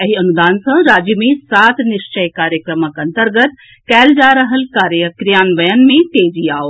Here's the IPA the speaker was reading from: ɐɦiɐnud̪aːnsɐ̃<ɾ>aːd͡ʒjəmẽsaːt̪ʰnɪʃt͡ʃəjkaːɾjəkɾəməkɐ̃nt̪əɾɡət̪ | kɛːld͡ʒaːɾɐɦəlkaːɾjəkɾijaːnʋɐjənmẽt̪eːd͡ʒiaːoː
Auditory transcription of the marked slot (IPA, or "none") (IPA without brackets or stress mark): ɾ